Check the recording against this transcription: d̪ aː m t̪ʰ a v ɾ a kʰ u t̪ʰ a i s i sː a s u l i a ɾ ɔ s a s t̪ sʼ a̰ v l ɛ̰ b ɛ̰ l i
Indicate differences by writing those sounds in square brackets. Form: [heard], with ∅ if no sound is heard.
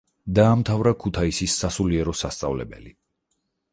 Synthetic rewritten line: d̪ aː m t̪ʰ a v ɾ a kʰ u t̪ʰ a i s i sː a s u l i [ɛ] ɾ ɔ s a s t̪ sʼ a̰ v l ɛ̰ b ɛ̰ l i